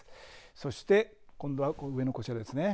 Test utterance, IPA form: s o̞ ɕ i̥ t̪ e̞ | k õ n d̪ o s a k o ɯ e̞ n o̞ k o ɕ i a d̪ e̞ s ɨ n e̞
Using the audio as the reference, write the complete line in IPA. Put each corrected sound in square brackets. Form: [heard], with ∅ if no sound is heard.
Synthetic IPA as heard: s o̞ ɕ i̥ t̪ e̞ | k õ n d̪ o [∅] a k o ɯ e̞ n o̞ k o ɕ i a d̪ e̞ s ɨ n e̞